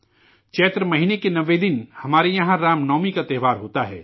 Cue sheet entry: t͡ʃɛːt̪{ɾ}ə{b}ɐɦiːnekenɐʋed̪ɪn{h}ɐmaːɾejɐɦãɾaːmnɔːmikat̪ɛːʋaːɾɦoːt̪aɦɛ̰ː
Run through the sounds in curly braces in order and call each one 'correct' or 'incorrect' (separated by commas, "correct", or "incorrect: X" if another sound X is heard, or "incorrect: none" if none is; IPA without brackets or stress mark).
correct, incorrect: m, correct